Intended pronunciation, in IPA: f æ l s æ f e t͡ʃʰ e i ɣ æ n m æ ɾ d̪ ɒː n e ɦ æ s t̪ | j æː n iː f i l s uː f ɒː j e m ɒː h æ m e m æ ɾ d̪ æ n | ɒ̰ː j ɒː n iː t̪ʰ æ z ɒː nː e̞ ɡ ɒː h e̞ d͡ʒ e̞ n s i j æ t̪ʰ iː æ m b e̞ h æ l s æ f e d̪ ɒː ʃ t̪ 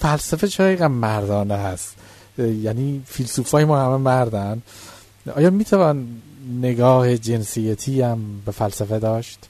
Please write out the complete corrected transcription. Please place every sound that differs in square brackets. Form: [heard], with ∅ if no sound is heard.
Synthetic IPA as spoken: f æ l s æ f e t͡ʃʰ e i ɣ æ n m æ ɾ d̪ ɒː n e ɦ æ s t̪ | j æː n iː f i l s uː f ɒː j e m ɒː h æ m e m æ ɾ d̪ æ n | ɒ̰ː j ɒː [m] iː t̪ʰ æ [v] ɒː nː e̞ ɡ ɒː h e̞ d͡ʒ e̞ n s i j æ t̪ʰ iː æ m b e̞ [f] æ l s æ f e d̪ ɒː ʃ t̪